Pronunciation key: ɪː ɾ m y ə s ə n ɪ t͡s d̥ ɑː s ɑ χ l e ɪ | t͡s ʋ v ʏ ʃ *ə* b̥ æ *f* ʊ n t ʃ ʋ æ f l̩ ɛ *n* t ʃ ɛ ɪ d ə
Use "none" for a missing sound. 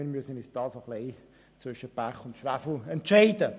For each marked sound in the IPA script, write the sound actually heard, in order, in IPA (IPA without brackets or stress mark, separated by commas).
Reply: ə, χ, n